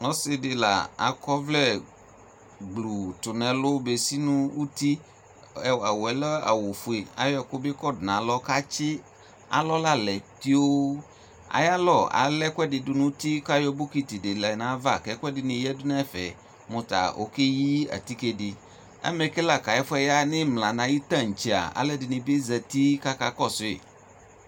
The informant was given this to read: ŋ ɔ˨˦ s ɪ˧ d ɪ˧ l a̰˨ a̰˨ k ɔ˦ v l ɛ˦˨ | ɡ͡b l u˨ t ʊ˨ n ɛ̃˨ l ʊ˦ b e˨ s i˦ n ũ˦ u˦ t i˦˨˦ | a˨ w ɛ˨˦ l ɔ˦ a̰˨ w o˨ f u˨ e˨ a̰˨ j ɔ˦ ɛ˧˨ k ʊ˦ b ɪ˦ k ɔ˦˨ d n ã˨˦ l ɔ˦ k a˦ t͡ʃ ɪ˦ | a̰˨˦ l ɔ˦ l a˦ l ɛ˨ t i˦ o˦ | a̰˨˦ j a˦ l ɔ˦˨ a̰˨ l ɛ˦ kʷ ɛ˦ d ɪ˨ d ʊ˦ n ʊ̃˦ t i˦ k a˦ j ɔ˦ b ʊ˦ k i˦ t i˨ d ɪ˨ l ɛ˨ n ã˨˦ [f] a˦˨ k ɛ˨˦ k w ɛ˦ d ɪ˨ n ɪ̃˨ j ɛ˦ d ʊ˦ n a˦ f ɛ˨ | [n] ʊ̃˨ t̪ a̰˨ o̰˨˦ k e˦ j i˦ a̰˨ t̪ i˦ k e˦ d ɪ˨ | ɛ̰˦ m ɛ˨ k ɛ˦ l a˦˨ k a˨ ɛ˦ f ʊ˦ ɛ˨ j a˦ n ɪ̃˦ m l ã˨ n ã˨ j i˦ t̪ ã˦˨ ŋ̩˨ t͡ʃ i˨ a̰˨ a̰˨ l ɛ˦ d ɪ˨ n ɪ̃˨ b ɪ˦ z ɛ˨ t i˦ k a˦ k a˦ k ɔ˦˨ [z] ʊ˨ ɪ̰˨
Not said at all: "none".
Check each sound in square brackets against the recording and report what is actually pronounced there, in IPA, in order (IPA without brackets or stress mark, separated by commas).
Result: v, m, s